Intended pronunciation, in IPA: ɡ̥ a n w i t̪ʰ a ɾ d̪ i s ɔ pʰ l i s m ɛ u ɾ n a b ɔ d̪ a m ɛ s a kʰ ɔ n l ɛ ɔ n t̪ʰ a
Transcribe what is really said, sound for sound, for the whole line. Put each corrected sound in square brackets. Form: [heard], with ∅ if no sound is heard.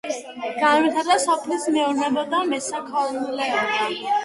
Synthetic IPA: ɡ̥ a n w i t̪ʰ a ɾ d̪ [a] s ɔ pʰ l i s m ɛ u ɾ n [ɛ] b ɔ d̪ a m ɛ s a kʰ ɔ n l ɛ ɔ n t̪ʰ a